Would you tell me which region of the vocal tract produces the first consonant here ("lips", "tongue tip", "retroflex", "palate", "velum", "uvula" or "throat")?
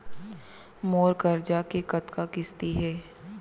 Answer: lips